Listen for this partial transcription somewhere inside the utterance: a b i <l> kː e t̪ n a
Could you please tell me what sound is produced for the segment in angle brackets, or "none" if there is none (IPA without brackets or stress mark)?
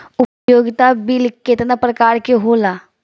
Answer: l